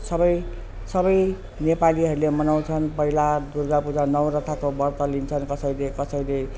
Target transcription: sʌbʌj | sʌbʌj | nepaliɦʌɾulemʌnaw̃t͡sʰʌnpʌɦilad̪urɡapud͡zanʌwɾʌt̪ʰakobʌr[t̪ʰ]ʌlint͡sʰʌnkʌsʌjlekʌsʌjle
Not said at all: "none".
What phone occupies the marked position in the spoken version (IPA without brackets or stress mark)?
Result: t̪